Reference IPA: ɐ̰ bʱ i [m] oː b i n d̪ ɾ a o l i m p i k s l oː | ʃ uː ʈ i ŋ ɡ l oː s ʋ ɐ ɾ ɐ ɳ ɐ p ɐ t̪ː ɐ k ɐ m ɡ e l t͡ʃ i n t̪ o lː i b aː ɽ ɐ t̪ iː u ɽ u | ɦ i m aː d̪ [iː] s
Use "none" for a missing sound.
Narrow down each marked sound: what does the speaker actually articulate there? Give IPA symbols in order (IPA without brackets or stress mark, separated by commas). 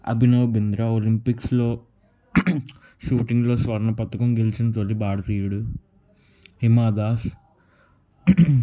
n, aː